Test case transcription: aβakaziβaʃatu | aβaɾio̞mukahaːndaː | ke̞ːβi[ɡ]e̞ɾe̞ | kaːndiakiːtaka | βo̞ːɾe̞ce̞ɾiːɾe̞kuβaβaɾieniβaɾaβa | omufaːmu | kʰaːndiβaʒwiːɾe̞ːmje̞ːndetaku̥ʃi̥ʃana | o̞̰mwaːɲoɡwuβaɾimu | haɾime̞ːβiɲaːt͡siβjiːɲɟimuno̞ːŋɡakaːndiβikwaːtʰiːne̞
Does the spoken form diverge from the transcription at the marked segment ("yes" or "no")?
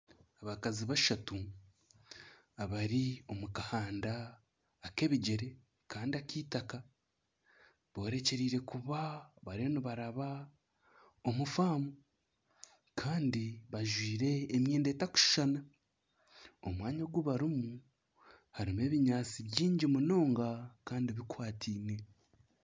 yes